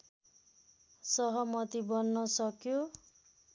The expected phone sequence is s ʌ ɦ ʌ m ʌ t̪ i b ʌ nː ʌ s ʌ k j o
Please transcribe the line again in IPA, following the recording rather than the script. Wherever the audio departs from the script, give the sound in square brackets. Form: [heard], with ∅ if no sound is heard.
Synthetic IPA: s ʌ ɦ ʌ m ʌ t̪ i b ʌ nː ʌ s ʌ k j o